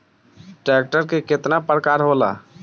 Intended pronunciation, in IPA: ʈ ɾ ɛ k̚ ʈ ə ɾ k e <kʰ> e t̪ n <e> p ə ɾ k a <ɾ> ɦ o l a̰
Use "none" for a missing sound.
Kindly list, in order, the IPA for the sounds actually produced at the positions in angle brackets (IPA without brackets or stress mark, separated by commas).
k, a, ɾ